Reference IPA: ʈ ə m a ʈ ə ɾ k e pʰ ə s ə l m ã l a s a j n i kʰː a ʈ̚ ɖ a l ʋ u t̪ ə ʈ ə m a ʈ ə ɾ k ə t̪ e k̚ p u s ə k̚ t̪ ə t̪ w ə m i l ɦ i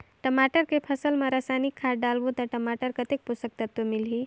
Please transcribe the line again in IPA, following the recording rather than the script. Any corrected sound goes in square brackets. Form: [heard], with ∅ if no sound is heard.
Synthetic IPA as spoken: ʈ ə m a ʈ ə ɾ k e pʰ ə s ə l m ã [ɾ] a s a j n i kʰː a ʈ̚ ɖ a l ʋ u t̪ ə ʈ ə m a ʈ ə ɾ k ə t̪ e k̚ p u s ə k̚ t̪ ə t̪ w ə m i l ɦ i